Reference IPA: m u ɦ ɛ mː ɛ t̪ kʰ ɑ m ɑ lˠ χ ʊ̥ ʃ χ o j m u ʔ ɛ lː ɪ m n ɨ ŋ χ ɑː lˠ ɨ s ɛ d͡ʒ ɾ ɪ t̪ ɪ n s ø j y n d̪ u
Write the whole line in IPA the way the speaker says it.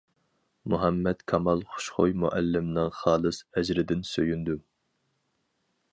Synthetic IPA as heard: m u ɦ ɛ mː ɛ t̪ kʰ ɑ m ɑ lˠ χ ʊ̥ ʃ χ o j m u ʔ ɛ lː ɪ m n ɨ ŋ χ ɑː lˠ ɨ s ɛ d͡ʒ ɾ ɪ d̪ ɪ n s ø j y n d̪ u